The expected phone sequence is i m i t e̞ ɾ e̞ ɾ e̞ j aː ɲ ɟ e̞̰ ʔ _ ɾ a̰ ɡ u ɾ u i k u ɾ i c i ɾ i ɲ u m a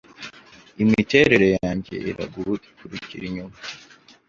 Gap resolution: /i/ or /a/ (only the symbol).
i